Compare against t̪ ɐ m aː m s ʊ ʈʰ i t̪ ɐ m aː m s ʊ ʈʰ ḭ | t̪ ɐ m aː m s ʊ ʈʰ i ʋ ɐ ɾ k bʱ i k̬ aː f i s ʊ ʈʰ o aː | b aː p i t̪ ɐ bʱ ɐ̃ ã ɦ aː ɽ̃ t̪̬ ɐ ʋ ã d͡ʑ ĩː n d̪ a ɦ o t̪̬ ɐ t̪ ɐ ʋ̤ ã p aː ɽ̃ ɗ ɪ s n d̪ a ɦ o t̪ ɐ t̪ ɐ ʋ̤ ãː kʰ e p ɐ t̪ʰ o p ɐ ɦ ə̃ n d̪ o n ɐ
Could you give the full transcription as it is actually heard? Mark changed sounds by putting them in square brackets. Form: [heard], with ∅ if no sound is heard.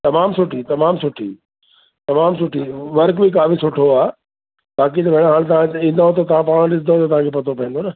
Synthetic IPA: t̪ ɐ m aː m s ʊ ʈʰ i t̪ ɐ m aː m s ʊ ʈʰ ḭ | t̪ ɐ m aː m s ʊ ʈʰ i ʋ ɐ ɾ k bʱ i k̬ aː f i s ʊ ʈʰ o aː | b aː [k] i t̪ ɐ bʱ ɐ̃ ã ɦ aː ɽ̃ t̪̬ ɐ ʋ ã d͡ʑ ĩː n d̪ a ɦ o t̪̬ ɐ t̪ ɐ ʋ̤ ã p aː ɽ̃ ɗ ɪ s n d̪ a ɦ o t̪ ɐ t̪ ɐ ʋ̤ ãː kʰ e p ɐ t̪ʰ o p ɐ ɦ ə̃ n d̪ o n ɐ

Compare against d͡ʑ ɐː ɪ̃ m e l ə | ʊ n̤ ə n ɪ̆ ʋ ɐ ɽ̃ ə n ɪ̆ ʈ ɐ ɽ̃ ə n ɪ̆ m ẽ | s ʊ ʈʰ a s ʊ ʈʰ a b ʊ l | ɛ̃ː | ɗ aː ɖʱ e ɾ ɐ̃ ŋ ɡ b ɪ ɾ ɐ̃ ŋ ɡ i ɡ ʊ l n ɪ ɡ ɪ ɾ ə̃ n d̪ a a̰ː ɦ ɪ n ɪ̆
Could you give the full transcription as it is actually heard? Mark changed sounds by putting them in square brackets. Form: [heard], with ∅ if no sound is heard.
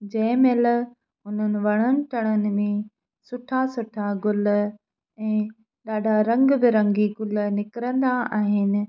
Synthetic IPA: d͡ʑ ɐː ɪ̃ m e l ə | ʊ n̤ ə n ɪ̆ ʋ ɐ ɽ̃ ə n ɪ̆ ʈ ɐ ɽ̃ ə n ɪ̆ m ẽ | s ʊ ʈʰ a s ʊ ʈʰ a [ɡ] ʊ l | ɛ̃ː | ɗ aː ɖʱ [a] ɾ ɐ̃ ŋ ɡ b ɪ ɾ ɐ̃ ŋ ɡ i ɡ ʊ l n ɪ [k] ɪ ɾ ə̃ n d̪ a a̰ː ɦ ɪ n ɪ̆

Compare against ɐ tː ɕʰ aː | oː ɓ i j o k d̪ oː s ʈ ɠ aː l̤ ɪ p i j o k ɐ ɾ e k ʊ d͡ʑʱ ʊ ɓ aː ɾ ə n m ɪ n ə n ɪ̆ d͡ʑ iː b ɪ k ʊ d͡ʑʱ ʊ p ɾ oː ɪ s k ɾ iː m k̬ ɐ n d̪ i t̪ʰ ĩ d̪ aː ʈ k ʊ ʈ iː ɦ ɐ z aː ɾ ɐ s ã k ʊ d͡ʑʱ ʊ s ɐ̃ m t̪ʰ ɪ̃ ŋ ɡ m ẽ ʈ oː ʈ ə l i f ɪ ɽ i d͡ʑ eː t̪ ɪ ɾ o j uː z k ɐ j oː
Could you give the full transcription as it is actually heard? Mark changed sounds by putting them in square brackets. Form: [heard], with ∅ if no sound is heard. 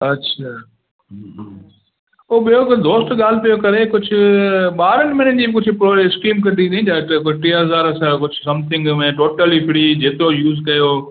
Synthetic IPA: ɐ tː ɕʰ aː | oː ɓ i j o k d̪ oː s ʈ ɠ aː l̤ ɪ p i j o k ɐ ɾ e k ʊ d͡ʑʱ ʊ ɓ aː ɾ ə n m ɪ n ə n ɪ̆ d͡ʑ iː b ɪ k ʊ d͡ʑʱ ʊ p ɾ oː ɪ s k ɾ iː m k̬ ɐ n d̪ i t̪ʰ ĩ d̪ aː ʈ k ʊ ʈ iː ɦ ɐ z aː ɾ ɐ s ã k ʊ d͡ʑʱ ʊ s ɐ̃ m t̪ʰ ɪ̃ ŋ ɡ m ẽ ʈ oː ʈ ə l i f ɪ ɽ i d͡ʑ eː t̪ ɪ ɾ o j uː z k ɐ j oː

